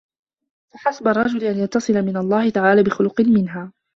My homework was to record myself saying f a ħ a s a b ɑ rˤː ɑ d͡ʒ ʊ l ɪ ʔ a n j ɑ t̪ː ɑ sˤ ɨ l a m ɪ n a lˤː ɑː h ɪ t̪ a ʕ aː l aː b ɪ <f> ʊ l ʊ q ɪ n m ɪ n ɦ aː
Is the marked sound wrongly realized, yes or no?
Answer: yes